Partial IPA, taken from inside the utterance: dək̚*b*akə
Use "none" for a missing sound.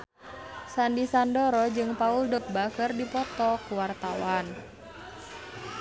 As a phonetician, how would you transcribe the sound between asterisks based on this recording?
b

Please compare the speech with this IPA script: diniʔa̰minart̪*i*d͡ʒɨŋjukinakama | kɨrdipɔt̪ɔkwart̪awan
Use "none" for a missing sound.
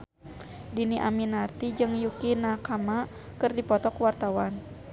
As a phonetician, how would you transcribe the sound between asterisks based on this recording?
i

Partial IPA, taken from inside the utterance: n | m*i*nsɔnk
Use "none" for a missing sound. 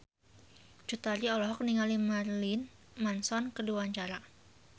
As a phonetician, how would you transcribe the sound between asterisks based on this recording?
a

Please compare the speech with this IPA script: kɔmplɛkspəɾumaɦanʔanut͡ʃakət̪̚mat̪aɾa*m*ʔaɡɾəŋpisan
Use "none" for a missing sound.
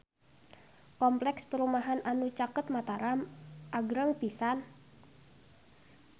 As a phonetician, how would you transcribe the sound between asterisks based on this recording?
m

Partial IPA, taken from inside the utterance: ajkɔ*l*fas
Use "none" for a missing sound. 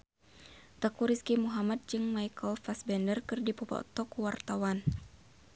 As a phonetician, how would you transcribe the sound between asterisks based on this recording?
l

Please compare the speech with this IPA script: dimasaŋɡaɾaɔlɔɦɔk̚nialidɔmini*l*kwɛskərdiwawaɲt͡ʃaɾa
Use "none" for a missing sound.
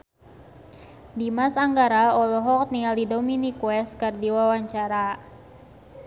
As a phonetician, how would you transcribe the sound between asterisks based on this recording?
none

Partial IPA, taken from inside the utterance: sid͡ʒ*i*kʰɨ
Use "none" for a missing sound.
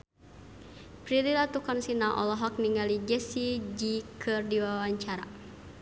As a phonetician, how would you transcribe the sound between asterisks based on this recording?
i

